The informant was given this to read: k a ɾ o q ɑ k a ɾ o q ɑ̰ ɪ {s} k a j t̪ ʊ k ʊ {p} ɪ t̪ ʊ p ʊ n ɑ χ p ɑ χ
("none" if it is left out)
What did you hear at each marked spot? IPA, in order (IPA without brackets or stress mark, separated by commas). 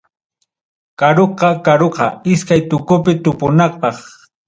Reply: s, p